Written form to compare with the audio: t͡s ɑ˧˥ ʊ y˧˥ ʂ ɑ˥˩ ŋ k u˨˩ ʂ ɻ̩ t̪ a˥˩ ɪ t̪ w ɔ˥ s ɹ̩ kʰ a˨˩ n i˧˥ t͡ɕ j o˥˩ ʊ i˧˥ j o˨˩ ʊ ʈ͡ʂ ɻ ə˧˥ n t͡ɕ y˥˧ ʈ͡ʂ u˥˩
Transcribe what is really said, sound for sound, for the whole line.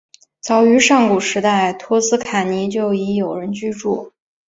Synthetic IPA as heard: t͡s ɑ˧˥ ʊ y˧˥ ʂ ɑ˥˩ ŋ k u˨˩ ʂ ɻ̩ t̪ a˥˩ ɪ t̪ʰ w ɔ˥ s ɹ̩ kʰ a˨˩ n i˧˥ t͡ɕ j o˥˩ ʊ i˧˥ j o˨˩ ʊ ɻ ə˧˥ n t͡ɕ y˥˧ ʈ͡ʂ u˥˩